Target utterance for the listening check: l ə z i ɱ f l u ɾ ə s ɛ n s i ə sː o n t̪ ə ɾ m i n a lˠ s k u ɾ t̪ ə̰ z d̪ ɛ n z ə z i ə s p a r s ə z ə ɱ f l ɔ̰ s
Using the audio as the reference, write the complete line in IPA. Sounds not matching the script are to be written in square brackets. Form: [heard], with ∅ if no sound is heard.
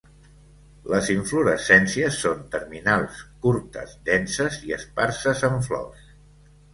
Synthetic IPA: l ə z i ɱ f l u ɾ ə s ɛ n s i ə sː o n t̪ ə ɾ m i n a lˠ s k u ɾ t̪ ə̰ z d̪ ɛ n [s] ə z i ə s p a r s ə z ə ɱ f l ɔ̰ s